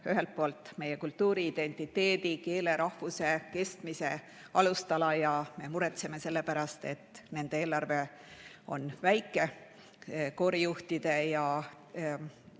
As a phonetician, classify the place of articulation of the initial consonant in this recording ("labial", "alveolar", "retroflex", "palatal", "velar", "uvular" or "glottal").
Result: glottal